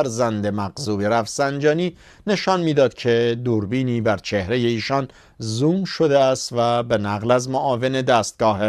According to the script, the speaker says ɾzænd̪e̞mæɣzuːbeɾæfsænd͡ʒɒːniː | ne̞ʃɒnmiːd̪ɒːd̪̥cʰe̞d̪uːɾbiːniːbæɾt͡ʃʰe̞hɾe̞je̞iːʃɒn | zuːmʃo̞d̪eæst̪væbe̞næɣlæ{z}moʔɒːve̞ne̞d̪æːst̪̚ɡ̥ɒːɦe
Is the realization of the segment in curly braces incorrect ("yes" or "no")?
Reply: no